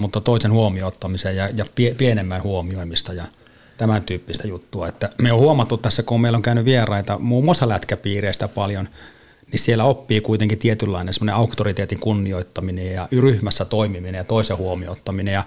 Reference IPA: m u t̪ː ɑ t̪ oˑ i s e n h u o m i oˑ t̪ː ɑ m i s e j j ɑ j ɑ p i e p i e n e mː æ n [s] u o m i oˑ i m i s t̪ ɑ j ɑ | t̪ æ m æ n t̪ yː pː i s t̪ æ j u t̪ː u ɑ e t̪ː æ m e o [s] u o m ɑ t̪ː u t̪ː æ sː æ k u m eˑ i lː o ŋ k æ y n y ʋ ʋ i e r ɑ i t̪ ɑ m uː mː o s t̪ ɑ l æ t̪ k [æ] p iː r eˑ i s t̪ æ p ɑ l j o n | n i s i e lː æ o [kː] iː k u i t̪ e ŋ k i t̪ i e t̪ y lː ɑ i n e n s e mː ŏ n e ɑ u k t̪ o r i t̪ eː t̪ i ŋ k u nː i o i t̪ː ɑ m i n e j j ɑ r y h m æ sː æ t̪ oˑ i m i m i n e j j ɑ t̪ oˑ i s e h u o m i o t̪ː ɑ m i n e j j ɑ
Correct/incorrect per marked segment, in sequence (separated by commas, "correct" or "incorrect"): incorrect, incorrect, correct, incorrect